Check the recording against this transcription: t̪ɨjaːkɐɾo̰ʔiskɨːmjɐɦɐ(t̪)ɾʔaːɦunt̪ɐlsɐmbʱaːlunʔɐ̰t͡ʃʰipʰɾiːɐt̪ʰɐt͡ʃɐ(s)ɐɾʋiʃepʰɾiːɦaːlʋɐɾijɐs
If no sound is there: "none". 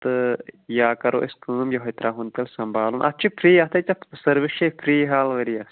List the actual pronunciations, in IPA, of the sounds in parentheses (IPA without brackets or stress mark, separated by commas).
t̪, s